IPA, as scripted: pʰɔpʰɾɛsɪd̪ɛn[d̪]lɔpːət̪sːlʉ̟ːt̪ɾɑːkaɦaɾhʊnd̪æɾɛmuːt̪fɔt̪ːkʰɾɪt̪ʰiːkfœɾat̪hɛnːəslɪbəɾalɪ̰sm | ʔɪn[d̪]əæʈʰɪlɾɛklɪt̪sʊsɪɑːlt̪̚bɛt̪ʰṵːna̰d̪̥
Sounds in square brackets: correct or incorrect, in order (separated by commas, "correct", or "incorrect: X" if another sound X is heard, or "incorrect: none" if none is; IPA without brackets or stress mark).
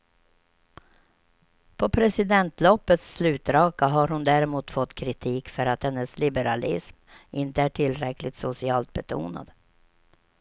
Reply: incorrect: t̪, incorrect: t̪